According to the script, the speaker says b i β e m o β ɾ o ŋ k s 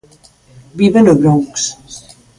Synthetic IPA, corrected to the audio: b i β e n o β ɾ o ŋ k s